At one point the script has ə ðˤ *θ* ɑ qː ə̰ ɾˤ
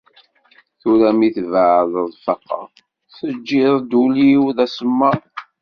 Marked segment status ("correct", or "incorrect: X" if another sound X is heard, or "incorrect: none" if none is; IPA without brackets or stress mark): incorrect: f